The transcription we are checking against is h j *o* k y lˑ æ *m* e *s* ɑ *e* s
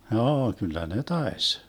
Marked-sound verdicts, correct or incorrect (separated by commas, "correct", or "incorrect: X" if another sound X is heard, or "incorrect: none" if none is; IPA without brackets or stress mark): incorrect: oː, incorrect: n, incorrect: t, correct